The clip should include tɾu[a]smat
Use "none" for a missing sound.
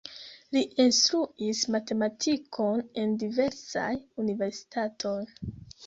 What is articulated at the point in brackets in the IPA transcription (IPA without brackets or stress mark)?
i